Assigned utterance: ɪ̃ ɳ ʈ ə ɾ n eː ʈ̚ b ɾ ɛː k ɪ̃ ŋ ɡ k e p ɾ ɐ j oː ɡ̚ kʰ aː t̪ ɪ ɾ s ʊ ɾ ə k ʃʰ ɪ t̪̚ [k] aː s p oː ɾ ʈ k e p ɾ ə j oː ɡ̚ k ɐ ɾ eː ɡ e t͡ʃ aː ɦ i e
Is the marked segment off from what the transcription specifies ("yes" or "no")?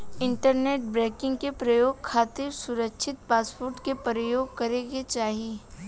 yes